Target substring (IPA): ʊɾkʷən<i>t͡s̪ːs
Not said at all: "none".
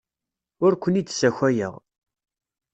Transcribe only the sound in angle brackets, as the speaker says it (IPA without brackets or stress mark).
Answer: i